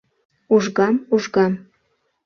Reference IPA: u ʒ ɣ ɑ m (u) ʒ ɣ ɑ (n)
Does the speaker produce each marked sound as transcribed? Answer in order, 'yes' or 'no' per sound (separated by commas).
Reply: yes, no